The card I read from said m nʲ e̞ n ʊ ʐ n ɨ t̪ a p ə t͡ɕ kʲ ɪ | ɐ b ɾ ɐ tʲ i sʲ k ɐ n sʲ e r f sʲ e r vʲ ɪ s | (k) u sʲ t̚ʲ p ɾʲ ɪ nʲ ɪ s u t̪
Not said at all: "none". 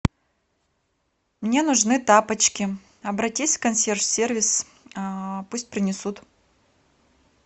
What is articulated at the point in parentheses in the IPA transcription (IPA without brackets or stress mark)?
p